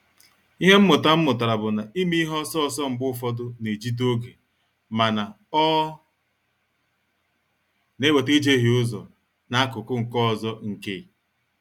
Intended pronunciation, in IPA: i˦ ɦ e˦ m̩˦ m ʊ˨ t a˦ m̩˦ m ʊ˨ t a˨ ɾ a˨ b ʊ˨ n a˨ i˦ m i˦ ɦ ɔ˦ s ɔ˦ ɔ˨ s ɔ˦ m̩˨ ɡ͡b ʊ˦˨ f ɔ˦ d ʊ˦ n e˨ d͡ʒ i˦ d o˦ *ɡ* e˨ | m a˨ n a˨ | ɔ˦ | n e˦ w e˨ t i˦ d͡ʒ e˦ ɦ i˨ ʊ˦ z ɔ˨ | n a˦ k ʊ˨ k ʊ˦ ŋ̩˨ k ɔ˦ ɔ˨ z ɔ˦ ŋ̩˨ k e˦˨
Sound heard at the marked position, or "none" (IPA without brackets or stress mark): ɡ